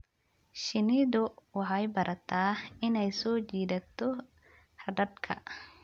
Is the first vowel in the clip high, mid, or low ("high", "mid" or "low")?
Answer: high